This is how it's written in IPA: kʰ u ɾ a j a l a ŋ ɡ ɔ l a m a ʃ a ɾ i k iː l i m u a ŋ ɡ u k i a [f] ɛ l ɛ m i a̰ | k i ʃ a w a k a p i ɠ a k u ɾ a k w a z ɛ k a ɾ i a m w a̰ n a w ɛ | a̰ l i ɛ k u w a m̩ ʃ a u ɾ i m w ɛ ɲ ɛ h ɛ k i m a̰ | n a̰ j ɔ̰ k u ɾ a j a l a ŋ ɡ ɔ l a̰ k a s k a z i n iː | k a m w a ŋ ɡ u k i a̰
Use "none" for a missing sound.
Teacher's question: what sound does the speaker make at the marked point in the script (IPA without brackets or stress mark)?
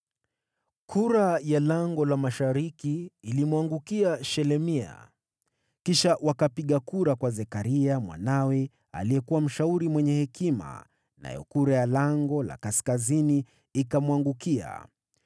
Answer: ʃ